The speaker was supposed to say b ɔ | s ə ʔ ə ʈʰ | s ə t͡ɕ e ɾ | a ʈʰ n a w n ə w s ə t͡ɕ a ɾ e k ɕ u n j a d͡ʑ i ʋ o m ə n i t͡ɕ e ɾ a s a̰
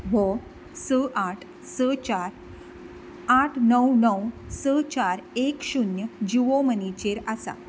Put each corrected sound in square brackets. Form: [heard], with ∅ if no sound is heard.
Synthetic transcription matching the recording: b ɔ | s ə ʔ [a] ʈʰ | s ə t͡ɕ [a] ɾ | a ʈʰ n [ə] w n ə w s ə t͡ɕ a ɾ e k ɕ u n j [ə] d͡ʑ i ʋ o m ə n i t͡ɕ e ɾ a s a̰